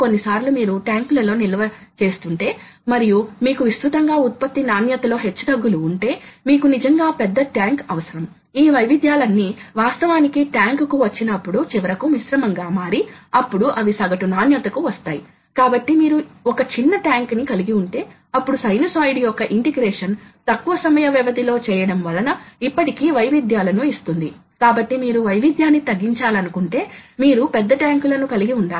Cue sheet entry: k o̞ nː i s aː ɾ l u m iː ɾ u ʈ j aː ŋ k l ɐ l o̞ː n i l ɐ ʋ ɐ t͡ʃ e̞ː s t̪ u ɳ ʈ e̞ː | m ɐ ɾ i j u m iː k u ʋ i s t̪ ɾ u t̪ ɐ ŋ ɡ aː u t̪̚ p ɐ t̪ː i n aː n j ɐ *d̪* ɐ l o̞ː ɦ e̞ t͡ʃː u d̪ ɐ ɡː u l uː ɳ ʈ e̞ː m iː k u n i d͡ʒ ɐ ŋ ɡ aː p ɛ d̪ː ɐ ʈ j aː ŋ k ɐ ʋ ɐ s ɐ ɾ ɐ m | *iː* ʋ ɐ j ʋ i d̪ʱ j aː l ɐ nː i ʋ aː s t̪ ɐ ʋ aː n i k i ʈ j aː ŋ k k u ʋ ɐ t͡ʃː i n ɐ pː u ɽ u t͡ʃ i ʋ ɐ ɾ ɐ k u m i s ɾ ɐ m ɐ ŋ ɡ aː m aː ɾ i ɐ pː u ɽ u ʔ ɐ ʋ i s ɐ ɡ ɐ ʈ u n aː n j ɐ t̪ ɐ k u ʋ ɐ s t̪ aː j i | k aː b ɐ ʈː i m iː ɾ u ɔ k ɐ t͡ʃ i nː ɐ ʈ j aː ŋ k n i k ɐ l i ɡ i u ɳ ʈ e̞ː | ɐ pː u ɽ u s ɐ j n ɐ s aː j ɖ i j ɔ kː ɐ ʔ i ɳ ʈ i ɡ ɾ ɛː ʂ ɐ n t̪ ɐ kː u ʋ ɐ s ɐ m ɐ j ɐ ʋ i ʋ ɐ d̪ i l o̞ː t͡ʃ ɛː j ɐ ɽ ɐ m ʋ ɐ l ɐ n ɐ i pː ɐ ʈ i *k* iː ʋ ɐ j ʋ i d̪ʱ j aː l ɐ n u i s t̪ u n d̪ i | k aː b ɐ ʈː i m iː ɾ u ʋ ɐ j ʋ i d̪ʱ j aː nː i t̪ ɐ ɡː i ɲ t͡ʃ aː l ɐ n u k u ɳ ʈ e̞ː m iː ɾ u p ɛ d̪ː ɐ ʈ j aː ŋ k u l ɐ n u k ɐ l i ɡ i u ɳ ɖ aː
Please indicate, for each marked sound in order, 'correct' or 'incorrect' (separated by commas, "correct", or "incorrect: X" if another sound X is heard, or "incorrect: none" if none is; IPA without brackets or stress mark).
incorrect: t̪, correct, correct